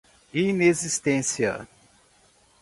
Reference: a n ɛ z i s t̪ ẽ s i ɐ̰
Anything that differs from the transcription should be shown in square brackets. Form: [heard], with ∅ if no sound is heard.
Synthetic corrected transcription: [i] n [e] z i s t̪ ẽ s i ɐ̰